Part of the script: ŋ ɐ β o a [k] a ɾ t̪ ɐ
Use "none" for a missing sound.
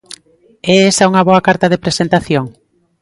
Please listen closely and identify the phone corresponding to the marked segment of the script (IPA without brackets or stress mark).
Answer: k